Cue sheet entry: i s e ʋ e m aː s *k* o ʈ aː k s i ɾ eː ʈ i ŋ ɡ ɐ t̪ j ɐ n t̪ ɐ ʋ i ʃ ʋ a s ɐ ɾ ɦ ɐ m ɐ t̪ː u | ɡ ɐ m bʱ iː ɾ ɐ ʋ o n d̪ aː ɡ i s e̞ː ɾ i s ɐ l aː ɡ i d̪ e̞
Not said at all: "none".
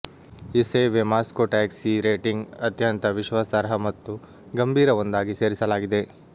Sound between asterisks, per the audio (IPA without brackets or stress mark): k